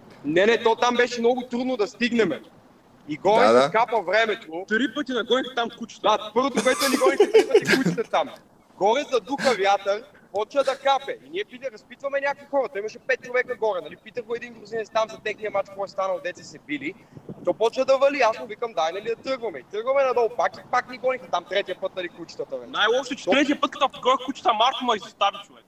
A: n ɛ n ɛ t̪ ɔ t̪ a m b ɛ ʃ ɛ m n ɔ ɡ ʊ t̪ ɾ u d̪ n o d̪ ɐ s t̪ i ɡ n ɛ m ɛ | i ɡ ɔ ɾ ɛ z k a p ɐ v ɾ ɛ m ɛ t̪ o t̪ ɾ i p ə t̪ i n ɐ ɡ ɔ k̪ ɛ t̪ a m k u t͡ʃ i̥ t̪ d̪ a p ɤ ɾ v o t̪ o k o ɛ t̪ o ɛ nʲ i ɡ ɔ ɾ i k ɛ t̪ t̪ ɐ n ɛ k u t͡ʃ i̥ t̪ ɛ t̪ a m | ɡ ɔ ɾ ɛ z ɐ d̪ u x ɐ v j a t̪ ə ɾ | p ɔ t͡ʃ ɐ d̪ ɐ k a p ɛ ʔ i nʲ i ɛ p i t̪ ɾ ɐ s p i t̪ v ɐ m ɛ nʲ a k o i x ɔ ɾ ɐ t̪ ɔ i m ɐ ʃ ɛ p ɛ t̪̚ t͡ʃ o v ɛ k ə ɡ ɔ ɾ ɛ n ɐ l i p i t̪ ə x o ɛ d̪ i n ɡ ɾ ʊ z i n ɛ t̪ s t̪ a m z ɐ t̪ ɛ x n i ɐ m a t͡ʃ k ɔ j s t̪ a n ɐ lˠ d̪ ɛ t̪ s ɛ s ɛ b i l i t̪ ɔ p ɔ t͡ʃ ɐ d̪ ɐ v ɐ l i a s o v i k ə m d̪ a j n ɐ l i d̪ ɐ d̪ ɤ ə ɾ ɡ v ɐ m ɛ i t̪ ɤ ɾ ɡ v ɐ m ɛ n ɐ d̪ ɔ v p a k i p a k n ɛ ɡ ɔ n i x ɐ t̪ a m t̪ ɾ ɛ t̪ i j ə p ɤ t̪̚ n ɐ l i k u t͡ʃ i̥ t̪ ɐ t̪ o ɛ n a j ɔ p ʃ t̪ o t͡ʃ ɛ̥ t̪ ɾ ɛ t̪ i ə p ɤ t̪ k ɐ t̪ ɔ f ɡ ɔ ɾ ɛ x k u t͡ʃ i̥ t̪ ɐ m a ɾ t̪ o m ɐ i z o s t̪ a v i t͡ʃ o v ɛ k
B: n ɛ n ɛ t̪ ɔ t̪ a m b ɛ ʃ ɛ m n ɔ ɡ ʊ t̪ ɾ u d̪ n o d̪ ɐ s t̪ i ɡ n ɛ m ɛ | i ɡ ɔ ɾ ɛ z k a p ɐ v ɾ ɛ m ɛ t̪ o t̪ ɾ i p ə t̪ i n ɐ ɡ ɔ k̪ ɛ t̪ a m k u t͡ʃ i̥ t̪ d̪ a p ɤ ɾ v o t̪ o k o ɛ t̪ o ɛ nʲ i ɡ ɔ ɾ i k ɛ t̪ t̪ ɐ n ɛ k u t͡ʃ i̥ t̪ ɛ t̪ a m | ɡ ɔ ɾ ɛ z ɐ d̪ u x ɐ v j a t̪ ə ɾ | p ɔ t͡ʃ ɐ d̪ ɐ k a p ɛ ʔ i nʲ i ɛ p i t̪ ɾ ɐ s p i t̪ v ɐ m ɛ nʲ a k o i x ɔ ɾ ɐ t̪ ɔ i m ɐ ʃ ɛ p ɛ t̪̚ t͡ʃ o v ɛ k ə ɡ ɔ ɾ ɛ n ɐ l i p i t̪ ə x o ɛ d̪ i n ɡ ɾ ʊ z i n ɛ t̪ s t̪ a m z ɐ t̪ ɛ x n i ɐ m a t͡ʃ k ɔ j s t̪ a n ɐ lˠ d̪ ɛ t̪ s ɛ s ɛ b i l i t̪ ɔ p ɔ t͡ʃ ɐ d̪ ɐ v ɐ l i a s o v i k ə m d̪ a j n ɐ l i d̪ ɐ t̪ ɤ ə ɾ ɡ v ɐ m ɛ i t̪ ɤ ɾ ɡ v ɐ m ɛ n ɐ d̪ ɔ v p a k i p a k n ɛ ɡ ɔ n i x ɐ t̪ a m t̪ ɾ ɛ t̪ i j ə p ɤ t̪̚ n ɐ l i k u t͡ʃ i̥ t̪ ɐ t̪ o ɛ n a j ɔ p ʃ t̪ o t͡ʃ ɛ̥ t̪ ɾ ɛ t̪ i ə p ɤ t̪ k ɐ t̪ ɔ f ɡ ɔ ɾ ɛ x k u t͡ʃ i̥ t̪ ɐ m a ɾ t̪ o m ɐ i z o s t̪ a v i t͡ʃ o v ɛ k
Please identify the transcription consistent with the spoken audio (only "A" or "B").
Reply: B